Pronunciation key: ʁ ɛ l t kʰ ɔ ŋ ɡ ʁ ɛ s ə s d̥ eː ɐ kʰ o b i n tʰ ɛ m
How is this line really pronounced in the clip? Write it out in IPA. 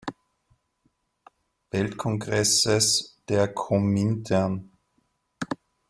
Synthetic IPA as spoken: v ɛ l t kʰ ɔ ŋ ɡ ʁ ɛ s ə s d̥ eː ɐ kʰ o m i n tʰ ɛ n